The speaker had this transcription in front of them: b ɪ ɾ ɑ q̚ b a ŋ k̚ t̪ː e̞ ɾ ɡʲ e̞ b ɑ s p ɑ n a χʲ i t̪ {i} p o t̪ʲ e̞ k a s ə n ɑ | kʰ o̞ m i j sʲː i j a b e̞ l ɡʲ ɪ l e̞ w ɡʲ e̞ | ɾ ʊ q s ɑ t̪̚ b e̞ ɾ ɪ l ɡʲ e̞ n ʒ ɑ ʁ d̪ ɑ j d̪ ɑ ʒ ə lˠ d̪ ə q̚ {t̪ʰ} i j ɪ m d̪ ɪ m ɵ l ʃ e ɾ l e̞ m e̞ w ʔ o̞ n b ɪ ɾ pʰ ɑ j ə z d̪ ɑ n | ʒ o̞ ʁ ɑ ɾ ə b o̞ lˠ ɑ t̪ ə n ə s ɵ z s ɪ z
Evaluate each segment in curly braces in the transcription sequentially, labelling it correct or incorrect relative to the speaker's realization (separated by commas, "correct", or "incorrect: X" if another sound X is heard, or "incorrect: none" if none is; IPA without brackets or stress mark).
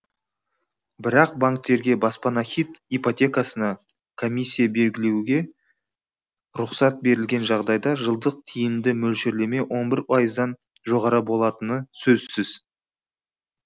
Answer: correct, correct